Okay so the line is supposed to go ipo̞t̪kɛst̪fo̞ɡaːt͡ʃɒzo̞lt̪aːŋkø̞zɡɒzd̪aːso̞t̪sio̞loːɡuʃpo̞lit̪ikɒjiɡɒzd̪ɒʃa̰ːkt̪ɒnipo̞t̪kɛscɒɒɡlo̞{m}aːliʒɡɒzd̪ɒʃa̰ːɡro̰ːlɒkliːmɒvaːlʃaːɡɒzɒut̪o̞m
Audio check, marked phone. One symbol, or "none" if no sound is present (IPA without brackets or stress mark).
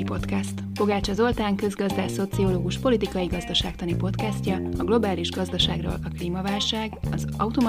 b